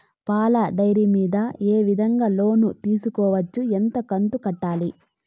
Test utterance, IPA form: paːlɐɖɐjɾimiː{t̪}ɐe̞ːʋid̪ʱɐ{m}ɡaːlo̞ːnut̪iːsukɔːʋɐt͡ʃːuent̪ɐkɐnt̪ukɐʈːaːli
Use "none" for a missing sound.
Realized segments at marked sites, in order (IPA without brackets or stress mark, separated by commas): d̪, ŋ